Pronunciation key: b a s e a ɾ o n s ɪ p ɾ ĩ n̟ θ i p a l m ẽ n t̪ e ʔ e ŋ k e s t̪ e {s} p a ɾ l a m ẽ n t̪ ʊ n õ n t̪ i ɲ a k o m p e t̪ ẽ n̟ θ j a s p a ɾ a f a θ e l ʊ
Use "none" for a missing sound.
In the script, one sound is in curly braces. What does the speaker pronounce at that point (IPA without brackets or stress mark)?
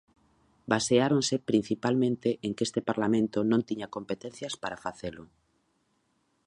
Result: none